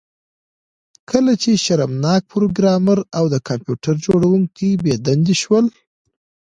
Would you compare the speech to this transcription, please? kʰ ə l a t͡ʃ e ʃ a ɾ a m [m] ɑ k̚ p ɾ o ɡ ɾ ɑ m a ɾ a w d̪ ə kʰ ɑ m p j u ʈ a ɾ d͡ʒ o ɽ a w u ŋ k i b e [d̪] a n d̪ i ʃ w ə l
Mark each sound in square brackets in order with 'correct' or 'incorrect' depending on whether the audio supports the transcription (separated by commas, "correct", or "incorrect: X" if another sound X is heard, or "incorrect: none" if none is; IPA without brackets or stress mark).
incorrect: n, correct